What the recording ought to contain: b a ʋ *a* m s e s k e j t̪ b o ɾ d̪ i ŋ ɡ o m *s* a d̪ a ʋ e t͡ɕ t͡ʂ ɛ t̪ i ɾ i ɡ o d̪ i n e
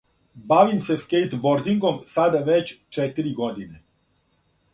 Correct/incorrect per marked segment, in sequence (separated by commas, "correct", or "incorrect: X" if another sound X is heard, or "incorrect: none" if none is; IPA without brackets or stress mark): incorrect: i, correct